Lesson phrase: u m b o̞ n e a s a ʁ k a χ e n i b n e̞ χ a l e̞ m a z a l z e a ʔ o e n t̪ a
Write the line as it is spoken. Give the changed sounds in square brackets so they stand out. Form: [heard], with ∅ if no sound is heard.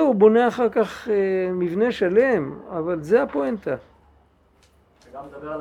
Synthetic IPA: u [∅] b o̞ n e a [χ] a ʁ k a χ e [m] i [v] n e̞ [ʃ] a l e̞ m a [v] a l z e a [p] o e n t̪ a